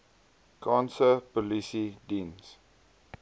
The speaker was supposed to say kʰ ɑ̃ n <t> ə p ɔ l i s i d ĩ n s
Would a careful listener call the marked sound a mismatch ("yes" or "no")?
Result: yes